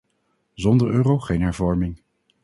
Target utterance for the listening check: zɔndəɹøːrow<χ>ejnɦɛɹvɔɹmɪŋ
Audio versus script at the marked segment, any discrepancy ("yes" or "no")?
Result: no